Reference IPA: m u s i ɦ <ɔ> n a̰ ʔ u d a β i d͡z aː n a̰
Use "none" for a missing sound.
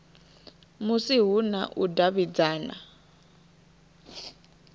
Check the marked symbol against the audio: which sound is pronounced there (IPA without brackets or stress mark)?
u